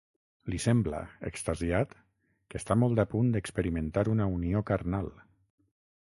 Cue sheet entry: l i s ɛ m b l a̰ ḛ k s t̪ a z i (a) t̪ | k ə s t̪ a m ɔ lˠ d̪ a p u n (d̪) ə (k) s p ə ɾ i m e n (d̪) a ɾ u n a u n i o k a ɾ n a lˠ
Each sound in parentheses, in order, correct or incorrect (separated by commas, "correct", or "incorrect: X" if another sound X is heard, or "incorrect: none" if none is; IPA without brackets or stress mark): correct, correct, correct, incorrect: t̪